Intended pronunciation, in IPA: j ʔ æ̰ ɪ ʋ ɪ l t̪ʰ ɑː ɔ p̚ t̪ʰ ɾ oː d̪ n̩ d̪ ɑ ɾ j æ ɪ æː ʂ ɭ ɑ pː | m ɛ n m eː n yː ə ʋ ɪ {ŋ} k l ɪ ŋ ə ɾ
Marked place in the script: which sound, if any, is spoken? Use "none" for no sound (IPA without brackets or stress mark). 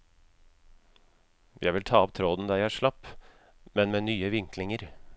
ŋ